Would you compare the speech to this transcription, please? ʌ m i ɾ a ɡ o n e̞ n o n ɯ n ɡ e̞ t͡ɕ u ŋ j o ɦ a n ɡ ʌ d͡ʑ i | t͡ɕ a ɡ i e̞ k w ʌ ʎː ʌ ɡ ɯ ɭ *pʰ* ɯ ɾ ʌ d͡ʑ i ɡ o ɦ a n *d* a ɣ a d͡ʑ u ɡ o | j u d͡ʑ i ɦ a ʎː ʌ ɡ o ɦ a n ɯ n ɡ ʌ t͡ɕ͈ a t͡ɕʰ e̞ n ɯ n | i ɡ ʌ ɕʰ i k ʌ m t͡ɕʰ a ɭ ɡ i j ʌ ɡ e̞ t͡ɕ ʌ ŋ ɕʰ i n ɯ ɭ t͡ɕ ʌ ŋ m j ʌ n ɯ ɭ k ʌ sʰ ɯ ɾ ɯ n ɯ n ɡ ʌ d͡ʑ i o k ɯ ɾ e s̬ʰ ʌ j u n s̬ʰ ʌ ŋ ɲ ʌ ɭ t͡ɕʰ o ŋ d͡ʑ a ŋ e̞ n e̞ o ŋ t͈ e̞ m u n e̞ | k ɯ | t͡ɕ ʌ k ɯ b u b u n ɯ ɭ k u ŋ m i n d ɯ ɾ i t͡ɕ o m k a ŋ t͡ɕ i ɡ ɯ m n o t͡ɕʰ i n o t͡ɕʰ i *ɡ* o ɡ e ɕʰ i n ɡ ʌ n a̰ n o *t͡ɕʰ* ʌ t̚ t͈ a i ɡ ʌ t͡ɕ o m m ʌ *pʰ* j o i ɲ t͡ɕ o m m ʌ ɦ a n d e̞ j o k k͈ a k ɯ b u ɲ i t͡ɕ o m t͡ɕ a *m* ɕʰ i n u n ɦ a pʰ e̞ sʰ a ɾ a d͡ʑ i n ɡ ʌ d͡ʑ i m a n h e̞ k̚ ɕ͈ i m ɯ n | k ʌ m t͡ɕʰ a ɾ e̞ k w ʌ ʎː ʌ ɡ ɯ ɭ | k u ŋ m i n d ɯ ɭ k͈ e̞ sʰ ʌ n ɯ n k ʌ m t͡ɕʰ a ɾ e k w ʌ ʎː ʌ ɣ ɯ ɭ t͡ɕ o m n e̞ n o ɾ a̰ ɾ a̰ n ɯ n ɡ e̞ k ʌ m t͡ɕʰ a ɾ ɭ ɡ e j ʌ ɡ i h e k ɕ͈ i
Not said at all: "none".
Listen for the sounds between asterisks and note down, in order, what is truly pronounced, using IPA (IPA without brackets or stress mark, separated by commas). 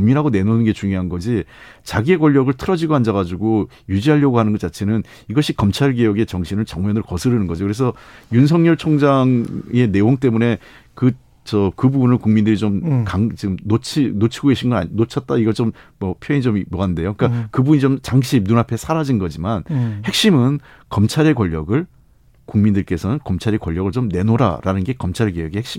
tʰ, d͡ʑ, ɡ, t͡ɕʰ, pʰ, ŋ